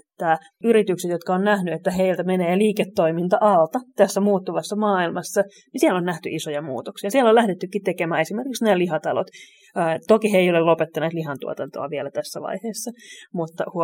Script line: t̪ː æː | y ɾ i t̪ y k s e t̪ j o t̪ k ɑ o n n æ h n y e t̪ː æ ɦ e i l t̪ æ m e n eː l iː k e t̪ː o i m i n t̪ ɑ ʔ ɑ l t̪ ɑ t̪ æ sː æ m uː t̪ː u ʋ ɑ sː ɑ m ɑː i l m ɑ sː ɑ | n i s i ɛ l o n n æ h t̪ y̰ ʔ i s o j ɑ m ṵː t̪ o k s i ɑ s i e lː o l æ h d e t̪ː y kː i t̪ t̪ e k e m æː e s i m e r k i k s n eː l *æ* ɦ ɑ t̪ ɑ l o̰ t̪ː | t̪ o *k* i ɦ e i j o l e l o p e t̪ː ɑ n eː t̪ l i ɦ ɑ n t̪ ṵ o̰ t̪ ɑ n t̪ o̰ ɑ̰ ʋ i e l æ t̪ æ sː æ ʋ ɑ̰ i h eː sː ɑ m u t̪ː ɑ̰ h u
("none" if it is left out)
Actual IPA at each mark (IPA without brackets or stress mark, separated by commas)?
i, k